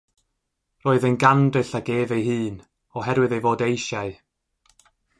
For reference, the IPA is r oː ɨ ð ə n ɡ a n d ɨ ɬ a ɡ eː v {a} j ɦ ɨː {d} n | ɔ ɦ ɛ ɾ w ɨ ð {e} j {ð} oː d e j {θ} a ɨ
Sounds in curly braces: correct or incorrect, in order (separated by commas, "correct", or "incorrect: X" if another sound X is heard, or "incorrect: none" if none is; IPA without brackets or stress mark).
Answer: incorrect: e, incorrect: none, correct, incorrect: v, incorrect: ʃ